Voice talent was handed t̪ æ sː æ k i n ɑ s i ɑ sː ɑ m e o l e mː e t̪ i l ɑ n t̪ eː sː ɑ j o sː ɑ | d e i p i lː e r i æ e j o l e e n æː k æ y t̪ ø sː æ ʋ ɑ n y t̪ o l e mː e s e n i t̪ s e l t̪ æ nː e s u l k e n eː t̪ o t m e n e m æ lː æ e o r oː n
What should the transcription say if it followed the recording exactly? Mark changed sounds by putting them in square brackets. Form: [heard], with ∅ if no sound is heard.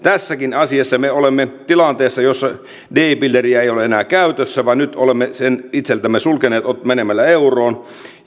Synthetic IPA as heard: t̪ æ sː æ k i n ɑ s i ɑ sː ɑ m e o l e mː e t̪ i l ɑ n t̪ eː sː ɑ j o sː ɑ | d e i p i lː e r i æ e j o l e e n æː k æ y t̪ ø sː æ ʋ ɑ n y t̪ o l e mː e s e n i t̪ s e l t̪ æ [mː] e s u l k e n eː t̪ o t m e n e m æ lː æ e [u] r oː n